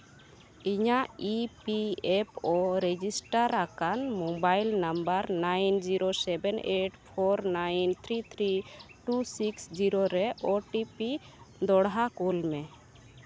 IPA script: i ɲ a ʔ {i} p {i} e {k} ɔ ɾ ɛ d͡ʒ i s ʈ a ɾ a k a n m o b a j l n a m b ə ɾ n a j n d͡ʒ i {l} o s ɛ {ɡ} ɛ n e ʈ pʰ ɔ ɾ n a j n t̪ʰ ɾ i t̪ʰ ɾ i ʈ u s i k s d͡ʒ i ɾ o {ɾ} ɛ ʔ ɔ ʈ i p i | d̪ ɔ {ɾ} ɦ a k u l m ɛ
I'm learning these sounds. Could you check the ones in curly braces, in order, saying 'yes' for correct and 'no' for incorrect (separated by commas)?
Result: yes, yes, no, no, no, yes, no